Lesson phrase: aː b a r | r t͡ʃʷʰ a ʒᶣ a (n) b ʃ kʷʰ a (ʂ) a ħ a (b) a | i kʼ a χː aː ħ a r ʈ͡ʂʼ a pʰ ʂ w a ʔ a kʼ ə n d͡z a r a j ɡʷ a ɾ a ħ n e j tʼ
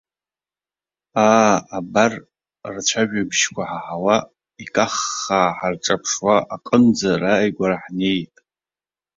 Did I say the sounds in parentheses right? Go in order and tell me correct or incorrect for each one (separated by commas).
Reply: incorrect, incorrect, incorrect